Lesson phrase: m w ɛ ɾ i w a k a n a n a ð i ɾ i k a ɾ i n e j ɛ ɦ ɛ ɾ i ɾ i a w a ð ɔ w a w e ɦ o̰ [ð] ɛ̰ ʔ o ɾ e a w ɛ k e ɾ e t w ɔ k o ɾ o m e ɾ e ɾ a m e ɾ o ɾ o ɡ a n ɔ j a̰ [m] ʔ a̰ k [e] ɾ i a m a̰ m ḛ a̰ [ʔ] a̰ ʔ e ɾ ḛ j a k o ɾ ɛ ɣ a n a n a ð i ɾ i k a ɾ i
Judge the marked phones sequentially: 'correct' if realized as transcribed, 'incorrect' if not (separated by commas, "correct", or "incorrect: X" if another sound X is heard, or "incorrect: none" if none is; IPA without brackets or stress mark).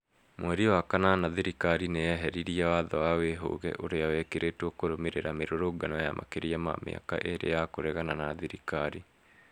incorrect: ɣ, correct, correct, incorrect: k